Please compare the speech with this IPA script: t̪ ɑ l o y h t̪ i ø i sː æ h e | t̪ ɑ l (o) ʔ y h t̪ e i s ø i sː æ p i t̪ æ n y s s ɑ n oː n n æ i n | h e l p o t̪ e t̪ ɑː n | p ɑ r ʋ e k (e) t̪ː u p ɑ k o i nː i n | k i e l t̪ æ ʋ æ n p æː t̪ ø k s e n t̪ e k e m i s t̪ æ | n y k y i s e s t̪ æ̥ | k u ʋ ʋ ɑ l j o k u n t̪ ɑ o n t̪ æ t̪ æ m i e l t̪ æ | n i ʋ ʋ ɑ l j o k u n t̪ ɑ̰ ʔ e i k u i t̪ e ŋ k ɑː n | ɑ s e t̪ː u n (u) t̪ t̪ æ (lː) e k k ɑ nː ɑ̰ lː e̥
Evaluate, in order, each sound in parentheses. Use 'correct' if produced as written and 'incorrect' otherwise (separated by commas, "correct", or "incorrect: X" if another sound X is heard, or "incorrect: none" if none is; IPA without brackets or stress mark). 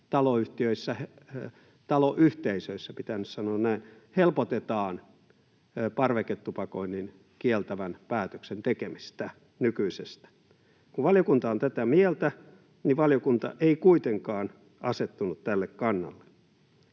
correct, correct, correct, correct